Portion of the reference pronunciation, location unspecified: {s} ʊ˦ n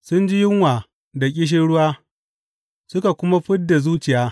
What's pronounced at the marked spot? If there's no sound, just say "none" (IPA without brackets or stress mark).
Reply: s